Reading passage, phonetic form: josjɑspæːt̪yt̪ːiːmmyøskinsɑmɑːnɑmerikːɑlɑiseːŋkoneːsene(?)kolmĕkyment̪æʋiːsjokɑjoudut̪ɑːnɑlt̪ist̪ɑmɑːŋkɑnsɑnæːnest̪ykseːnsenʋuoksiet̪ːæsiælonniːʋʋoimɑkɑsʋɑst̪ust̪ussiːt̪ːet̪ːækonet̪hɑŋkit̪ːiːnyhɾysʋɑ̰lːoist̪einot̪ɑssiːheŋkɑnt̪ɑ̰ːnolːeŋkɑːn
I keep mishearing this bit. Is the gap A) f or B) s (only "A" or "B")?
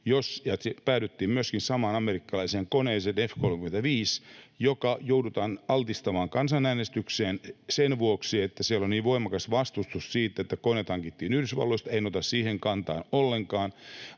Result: A